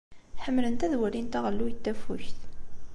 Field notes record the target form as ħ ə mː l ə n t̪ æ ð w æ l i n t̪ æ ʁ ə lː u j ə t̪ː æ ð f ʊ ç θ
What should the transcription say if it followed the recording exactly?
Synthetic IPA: ħ ə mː l ə n t̪ æ ð w æ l i n t̪ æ ʁ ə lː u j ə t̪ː æ f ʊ ç θ